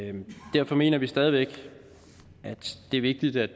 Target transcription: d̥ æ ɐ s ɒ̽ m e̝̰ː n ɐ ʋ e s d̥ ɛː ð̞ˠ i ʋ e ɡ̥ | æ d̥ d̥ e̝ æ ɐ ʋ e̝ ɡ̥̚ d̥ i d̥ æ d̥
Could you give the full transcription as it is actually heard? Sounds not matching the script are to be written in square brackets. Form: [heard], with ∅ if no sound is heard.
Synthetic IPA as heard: d̥ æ ɐ [f] ɒ̽ m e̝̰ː n ɐ ʋ [i] s d̥ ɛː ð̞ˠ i ʋ e ɡ̥ | æ d̥ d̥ e̝ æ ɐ ʋ e̝ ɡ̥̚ d̥ i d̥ æ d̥